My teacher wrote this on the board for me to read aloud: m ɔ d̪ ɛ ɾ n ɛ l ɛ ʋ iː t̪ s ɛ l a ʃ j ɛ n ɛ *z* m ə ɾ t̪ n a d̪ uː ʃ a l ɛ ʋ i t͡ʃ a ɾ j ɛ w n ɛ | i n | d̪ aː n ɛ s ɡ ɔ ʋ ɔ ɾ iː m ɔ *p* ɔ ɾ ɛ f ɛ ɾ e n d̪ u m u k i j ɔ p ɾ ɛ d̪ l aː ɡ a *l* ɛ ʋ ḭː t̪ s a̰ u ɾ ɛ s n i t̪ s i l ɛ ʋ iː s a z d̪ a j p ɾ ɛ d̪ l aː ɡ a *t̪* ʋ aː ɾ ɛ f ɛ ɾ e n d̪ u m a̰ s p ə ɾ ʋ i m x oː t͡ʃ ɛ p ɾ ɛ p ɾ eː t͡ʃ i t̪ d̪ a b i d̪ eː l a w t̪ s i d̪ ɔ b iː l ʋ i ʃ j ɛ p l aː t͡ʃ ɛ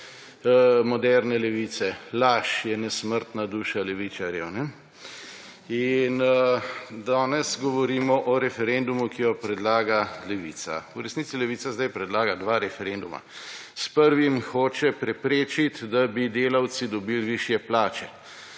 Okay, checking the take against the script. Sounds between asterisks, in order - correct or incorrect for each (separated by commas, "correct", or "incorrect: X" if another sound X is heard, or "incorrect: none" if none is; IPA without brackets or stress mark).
incorrect: s, incorrect: ʔ, correct, incorrect: d̪